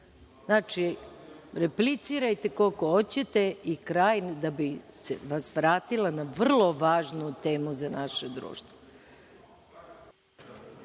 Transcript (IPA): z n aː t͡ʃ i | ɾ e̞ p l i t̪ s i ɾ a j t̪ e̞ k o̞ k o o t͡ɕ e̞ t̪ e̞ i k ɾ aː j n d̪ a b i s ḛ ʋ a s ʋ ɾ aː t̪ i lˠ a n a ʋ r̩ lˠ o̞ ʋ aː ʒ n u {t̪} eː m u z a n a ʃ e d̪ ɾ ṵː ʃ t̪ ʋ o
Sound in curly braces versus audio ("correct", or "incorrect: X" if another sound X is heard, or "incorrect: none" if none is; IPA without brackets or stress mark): correct